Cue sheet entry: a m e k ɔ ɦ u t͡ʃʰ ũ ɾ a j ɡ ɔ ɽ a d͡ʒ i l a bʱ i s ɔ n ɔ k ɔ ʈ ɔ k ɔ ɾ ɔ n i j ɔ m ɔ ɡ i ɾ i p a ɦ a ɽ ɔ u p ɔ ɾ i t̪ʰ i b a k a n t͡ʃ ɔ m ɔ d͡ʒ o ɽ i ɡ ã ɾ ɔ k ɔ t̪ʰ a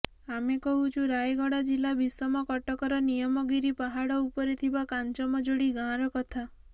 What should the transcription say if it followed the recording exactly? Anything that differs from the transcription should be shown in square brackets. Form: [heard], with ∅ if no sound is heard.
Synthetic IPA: a m e k ɔ ɦ u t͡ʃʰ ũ ɾ a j ɡ ɔ ɽ a d͡ʒ i l a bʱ i s ɔ [m] ɔ k ɔ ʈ ɔ k ɔ ɾ ɔ n i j ɔ m ɔ ɡ i ɾ i p a ɦ a ɽ ɔ u p ɔ ɾ i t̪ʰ i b a k a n t͡ʃ ɔ m ɔ d͡ʒ o ɽ i ɡ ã ɾ ɔ k ɔ t̪ʰ a

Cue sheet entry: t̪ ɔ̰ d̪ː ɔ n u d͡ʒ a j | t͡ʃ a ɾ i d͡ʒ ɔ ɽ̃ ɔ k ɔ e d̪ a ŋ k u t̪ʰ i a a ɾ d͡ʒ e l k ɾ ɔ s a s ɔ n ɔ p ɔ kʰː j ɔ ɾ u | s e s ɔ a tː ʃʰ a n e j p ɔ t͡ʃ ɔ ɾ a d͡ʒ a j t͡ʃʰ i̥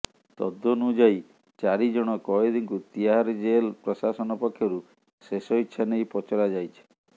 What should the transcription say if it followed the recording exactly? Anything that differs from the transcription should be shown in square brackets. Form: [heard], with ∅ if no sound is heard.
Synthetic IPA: t̪ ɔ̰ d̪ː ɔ n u d͡ʒ a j | t͡ʃ a ɾ i d͡ʒ ɔ ɽ̃ ɔ k ɔ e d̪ [i] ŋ k u [t̪] i a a ɾ d͡ʒ e l [p] ɾ ɔ s a s ɔ n ɔ p ɔ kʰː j ɔ ɾ u | s e s ɔ [i] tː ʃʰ a n e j p ɔ t͡ʃ ɔ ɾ a d͡ʒ a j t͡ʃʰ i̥

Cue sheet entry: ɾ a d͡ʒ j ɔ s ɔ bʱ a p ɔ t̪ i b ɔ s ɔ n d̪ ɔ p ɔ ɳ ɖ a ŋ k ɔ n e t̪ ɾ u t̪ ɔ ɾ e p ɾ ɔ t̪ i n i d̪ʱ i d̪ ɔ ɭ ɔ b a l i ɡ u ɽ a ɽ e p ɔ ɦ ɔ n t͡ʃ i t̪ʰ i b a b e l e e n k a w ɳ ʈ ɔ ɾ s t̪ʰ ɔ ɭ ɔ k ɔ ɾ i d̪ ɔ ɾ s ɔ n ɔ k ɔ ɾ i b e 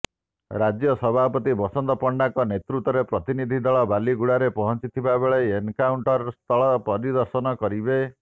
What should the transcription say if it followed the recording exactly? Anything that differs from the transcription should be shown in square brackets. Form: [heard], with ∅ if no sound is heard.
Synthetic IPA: ɾ a d͡ʒ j ɔ s ɔ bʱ a p ɔ t̪ i b ɔ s ɔ n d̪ ɔ p ɔ ɳ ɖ a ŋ k ɔ n e t̪ ɾ u t̪ ɔ ɾ e p ɾ ɔ t̪ i n i d̪ʱ i d̪ ɔ ɭ ɔ b a l i ɡ u ɽ a [ɾ] e p ɔ ɦ ɔ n t͡ʃ i t̪ʰ i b a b e [ɭ] e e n k a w ɳ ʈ ɔ ɾ s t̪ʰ ɔ ɭ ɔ [p] ɔ ɾ i d̪ ɔ ɾ s ɔ n ɔ k ɔ ɾ i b e

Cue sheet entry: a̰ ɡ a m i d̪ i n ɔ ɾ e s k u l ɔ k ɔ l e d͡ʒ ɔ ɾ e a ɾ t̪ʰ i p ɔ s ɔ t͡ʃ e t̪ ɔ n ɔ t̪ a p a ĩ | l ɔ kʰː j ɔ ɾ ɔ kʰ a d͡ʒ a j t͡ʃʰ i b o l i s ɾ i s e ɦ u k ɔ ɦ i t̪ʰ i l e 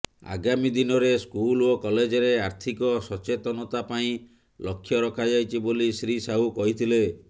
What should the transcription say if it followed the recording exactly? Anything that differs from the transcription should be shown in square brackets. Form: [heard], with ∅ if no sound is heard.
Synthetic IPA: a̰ ɡ a m i d̪ i n ɔ ɾ e s k u l [o] k ɔ l e d͡ʒ ɔ ɾ e a ɾ t̪ʰ i [k] ɔ s ɔ t͡ʃ e t̪ ɔ n ɔ t̪ a p a ĩ | l ɔ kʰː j ɔ ɾ ɔ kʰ a d͡ʒ a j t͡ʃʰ i b o l i s ɾ i s [a] ɦ u k ɔ ɦ i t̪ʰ i l e

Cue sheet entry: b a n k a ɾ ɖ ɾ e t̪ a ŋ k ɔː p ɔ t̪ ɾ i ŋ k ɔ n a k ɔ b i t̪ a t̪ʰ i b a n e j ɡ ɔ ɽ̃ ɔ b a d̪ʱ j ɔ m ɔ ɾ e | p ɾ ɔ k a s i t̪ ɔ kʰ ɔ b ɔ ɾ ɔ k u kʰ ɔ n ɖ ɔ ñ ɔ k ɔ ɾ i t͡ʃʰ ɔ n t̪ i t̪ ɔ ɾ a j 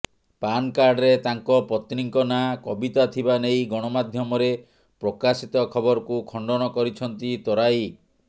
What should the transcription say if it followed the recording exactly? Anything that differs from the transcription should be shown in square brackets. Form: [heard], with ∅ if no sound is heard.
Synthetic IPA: [p] a n k a ɾ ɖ ɾ e t̪ a ŋ k [ɔ] p ɔ t̪ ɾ i ŋ k ɔ n a k ɔ b i t̪ a t̪ʰ i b a n e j ɡ ɔ ɽ̃ ɔ [m] a d̪ʱ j ɔ m ɔ ɾ e | p ɾ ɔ k a s i t̪ ɔ kʰ ɔ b ɔ ɾ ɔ k u kʰ ɔ [ɳ] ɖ ɔ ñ ɔ k ɔ ɾ i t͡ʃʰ ɔ n t̪ i t̪ ɔ ɾ a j

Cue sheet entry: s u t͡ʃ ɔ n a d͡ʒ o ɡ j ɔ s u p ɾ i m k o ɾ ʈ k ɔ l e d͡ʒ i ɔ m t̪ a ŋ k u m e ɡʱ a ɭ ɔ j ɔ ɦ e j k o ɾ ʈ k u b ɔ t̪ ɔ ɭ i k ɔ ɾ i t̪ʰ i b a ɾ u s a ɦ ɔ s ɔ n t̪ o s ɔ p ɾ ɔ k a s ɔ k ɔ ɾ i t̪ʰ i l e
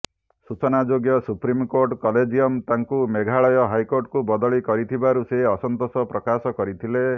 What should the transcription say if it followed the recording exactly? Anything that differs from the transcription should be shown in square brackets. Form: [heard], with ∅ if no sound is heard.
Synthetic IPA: s u t͡ʃ ɔ n a d͡ʒ o ɡ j ɔ s u p ɾ i m k o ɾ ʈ k ɔ l e d͡ʒ i ɔ m t̪ a ŋ k u m e ɡʱ a ɭ ɔ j ɔ ɦ [a] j k o ɾ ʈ k u b ɔ [d̪] ɔ ɭ i k ɔ ɾ i t̪ʰ i b a ɾ u s [e] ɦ ɔ s ɔ n t̪ o s ɔ p ɾ ɔ k a s ɔ k ɔ ɾ i t̪ʰ i l e

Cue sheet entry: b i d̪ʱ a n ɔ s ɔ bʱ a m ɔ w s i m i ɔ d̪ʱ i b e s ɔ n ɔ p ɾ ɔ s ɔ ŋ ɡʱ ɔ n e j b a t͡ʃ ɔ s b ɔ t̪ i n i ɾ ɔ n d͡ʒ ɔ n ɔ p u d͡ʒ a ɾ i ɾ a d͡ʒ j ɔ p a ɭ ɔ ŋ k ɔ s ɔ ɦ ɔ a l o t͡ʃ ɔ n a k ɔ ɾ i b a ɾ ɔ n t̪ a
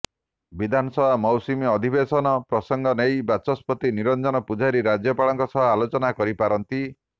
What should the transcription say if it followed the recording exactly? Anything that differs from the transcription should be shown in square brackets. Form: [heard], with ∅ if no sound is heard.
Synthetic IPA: b i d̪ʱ a n ɔ s ɔ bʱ a m ɔ w s i m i ɔ d̪ʱ i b e s ɔ n ɔ p ɾ ɔ s ɔ ŋ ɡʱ ɔ n e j b a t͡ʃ ɔ s [p] ɔ t̪ i n i ɾ ɔ n d͡ʒ ɔ n ɔ p u d͡ʒ a ɾ i ɾ a d͡ʒ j ɔ p a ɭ ɔ ŋ k ɔ s ɔ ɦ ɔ a l o t͡ʃ ɔ n a k ɔ ɾ i [p] a ɾ ɔ n t̪ [i]

